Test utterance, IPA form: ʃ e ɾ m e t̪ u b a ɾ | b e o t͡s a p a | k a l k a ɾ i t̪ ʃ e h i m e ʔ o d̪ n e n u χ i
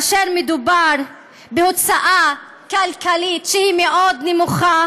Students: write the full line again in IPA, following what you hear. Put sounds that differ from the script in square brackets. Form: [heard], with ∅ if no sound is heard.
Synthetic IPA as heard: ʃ e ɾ m e [d̪] u b a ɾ | b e o t͡s a [ʔ] a | k a l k a [l] i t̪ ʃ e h i m e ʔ o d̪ n e [m] u χ [a]